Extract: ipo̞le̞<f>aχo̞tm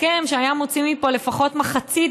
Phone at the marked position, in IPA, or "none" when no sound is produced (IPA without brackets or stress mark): f